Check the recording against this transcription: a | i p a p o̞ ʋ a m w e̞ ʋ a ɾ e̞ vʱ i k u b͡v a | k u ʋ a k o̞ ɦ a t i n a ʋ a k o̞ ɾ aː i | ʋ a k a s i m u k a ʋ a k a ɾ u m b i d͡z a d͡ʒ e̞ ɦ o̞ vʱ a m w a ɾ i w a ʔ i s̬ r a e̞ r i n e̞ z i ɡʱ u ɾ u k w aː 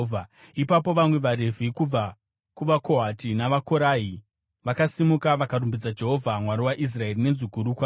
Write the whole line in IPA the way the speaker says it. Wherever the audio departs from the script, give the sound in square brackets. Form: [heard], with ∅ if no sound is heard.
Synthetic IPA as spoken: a | i p a p o̞ ʋ a m w e̞ ʋ a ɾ e̞ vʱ i k u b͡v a | k u ʋ a k o̞ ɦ a t i n a ʋ a k o̞ ɾ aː i | ʋ a k a s i m u k a ʋ a k a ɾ u m b i d͡z a d͡ʒ e̞ ɦ o̞ vʱ a m w a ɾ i w a ʔ i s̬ r a e̞ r i n e̞ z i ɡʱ u ɾ u k w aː